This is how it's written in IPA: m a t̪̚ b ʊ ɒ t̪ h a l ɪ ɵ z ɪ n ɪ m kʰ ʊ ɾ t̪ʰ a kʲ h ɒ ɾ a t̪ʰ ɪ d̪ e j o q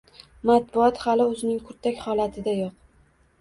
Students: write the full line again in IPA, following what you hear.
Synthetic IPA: m a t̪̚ b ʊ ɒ t̪ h a l ɪ ɵ z ɪ n ɪ ŋ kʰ ʊ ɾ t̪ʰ a kʲ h ɒ l a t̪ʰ ɪ d̪ a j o q